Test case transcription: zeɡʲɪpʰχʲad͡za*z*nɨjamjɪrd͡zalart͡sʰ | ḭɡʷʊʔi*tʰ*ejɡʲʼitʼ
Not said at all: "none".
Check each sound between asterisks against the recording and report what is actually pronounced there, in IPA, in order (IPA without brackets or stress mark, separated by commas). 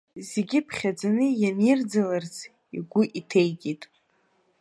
none, tʰ